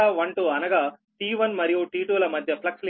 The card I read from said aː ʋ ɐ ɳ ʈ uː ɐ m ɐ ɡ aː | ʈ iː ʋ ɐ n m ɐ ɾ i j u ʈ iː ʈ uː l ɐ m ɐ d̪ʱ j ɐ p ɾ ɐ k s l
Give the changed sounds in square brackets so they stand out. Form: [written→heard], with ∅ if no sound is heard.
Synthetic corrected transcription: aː ʋ ɐ ɳ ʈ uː ɐ [m→n] ɐ ɡ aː | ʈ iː ʋ ɐ n m ɐ ɾ i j u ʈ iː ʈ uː l ɐ m ɐ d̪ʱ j ɐ p [ɾ→l] ɐ k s l

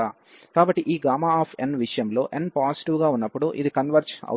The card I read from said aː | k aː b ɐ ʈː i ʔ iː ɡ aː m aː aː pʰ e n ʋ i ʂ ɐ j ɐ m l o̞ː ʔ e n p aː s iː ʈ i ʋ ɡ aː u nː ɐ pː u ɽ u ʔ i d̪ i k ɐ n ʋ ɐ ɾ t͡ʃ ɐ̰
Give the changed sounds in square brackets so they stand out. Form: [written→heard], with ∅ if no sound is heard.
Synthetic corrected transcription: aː | k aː b ɐ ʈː i ʔ iː ɡ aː m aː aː pʰ e n ʋ i ʂ ɐ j ɐ m l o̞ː ʔ e n p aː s [iː→i] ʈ i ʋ ɡ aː u nː ɐ pː u ɽ u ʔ i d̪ i k ɐ n ʋ ɐ ɾ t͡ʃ ɐ̰

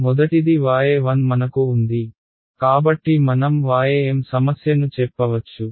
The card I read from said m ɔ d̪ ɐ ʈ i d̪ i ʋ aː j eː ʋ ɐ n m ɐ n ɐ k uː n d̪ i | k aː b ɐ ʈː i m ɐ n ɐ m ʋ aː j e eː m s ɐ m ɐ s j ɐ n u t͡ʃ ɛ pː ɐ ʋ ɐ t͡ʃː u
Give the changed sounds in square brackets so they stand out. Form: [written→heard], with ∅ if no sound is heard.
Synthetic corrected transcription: m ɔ d̪ ɐ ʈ i d̪ i ʋ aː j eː ʋ ɐ n m ɐ n ɐ k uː n d̪ i | k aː b ɐ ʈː i m ɐ n ɐ m ʋ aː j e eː m s ɐ m ɐ s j ɐ n u t͡ʃ ɛ pː ɐ ʋ ɐ t͡ʃː u

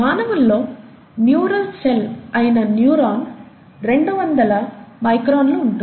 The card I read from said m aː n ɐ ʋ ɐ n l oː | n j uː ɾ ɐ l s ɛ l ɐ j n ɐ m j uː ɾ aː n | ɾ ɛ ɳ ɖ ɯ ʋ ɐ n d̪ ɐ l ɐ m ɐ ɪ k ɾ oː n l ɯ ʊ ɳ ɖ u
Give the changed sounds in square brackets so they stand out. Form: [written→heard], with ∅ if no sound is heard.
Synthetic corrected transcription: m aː n ɐ ʋ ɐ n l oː | n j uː ɾ ɐ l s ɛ l ɐ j n ɐ [m→n] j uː ɾ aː n | ɾ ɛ ɳ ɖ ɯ ʋ ɐ n d̪ ɐ l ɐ m ɐ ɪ k ɾ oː n l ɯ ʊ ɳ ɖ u

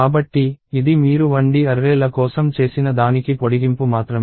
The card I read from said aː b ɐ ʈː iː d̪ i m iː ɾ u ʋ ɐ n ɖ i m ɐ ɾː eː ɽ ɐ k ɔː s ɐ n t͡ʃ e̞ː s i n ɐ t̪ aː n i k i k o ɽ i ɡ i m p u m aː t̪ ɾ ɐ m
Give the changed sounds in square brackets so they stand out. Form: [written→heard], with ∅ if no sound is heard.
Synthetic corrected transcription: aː b ɐ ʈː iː d̪ i m iː ɾ u ʋ ɐ [n→ɳ] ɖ i [m→∅] ɐ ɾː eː [ɽ→l] ɐ k ɔː s ɐ [n→m] t͡ʃ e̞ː s i n ɐ [t̪→d̪] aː n i k i [k→p] o ɽ i ɡ i m p u m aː t̪ ɾ ɐ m

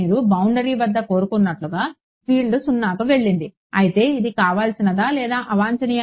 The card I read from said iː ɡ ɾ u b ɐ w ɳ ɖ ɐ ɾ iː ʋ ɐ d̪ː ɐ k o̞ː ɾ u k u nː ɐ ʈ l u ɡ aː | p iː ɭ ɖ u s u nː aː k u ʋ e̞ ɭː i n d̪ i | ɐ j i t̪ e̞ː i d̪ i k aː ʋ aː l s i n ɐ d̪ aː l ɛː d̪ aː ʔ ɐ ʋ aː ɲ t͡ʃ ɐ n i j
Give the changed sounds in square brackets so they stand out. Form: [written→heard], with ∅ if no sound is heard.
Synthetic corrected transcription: iː [ɡ→∅] ɾ u b ɐ w ɳ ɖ ɐ ɾ iː ʋ ɐ d̪ː ɐ k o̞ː ɾ u k u nː ɐ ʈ l u ɡ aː | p iː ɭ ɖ u s u nː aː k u ʋ e̞ ɭː i n d̪ i | ɐ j i t̪ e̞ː i d̪ i k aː ʋ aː l s i n ɐ d̪ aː l ɛː d̪ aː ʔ ɐ ʋ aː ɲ t͡ʃ ɐ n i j

